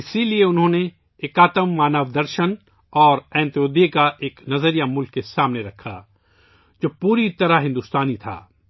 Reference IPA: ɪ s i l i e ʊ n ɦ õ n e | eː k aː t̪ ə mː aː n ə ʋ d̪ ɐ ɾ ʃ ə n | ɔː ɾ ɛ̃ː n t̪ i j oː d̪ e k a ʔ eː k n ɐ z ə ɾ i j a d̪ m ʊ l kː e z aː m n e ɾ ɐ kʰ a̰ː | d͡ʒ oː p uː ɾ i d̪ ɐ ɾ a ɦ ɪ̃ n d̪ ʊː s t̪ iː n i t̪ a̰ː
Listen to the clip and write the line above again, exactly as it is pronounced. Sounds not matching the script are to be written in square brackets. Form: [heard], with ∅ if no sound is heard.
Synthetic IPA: ɪ s i l i e ʊ n ɦ õ n e | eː k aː t̪ ə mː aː n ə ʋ d̪ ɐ ɾ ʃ ə n | ɔː ɾ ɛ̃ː n t̪ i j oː d̪ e k a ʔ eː k n ɐ z ə ɾ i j a [∅] m ʊ l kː e [s] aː m n e ɾ ɐ kʰ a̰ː | d͡ʒ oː p uː ɾ i [t̪] ɐ ɾ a ɦ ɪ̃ n d̪ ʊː s t̪ [aː] n i [t̪ʰ] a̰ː

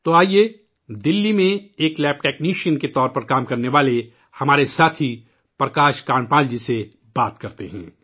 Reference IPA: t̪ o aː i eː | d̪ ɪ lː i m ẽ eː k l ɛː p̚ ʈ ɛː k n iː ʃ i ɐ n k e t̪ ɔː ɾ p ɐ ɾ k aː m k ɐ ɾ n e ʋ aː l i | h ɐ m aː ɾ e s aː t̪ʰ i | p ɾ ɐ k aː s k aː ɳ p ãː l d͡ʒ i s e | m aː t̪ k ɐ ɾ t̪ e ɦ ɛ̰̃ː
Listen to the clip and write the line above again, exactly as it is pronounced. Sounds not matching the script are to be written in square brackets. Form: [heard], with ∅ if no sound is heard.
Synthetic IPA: t̪ o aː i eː | d̪ ɪ lː i m ẽ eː k l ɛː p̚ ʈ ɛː k n iː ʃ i [ə] n k e t̪ ɔː ɾ p ɐ ɾ k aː m k ɐ ɾ n e ʋ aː l [e] | h ɐ m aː ɾ e s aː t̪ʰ i | p ɾ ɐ k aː [ʃ] k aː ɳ p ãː l d͡ʒ i s e | [b] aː t̪ k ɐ ɾ t̪ e ɦ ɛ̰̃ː

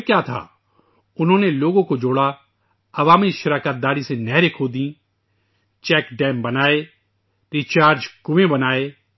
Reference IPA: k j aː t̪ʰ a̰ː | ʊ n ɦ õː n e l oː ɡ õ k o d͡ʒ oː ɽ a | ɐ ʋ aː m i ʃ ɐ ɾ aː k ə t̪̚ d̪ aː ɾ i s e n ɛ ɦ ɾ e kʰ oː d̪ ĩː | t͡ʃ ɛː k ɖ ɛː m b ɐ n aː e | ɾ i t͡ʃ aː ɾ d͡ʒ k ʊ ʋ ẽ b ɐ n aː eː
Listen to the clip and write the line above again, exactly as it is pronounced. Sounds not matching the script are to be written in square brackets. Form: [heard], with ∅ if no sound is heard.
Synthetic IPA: k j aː t̪ʰ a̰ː | ʊ n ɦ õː n e l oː ɡ õ k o d͡ʒ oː ɽ a | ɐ ʋ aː m i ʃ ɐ ɾ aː k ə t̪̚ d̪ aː ɾ i s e n ɛ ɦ ɾ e kʰ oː d̪ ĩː | t͡ʃ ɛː k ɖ ɛː m b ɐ n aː e | ɾ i t͡ʃ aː ɾ d͡ʒ k ʊ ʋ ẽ b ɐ n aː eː

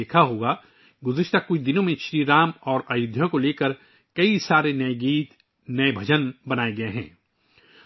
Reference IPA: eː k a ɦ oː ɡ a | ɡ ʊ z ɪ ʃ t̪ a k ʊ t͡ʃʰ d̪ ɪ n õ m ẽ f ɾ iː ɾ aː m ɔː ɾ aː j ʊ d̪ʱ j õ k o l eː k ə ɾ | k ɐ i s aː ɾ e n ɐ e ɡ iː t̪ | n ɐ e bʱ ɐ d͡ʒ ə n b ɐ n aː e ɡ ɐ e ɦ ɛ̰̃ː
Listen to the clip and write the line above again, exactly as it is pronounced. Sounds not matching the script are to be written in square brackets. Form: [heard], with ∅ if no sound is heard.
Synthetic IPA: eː [kʰ] a ɦ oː ɡ a | ɡ ʊ z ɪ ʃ t̪ a k ʊ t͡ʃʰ d̪ ɪ n õ m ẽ [ʃ] ɾ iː ɾ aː m ɔː ɾ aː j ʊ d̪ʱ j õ k o l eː k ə ɾ | k ɐ i s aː ɾ e n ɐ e ɡ iː t̪ | n ɐ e bʱ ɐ d͡ʒ ə n b ɐ n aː e ɡ ɐ e ɦ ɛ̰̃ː

